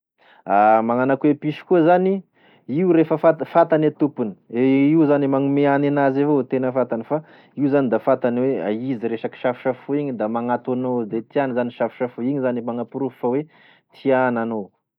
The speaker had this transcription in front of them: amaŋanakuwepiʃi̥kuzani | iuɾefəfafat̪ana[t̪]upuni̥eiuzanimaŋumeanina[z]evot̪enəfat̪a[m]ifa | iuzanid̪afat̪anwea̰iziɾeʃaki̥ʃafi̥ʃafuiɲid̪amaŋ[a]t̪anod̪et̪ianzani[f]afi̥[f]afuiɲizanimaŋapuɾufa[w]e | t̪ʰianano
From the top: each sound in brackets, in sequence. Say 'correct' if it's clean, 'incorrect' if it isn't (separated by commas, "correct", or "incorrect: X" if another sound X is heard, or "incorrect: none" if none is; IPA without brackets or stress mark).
correct, correct, incorrect: n, correct, incorrect: ʃ, incorrect: ʃ, correct